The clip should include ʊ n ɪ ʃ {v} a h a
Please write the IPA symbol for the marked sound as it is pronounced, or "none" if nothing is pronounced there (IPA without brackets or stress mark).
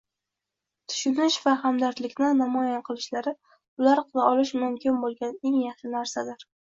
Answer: v